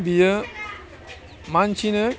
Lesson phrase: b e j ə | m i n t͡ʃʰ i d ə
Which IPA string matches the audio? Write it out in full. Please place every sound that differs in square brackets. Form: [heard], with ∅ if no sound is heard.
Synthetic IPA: b [i] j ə | m [a] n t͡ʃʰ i [n] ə